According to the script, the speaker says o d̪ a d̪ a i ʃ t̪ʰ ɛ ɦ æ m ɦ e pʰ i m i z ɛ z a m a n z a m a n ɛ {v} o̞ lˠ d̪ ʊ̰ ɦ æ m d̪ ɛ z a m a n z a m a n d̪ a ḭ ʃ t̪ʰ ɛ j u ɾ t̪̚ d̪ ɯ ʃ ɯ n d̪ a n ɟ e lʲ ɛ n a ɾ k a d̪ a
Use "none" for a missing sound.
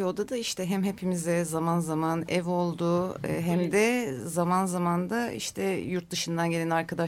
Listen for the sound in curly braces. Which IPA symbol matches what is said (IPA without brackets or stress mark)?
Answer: v